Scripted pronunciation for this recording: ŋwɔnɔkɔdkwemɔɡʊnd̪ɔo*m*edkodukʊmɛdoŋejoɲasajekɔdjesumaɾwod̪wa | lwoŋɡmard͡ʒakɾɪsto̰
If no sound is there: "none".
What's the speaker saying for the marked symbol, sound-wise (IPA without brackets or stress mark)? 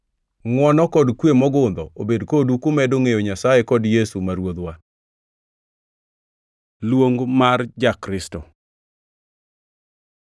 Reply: b